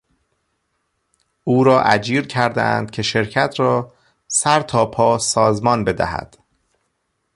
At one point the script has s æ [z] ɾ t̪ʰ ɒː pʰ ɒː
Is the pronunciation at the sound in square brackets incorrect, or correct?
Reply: incorrect